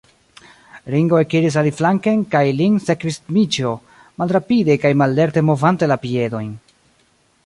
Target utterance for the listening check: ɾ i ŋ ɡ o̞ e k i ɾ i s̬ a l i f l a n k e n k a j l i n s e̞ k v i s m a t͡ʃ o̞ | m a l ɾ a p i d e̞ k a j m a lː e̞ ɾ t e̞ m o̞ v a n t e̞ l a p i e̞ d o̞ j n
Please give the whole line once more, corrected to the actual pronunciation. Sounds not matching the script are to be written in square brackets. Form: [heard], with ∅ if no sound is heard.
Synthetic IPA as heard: ɾ i ŋ ɡ o̞ e k i ɾ i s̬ a l i f l a [ŋ] k e n k a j l i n s e̞ k v i s m [i] t͡ʃ o̞ | m a l ɾ a p i d e̞ k a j m a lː e̞ ɾ t e̞ m o̞ v a n t e̞ l a p i e̞ d o̞ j n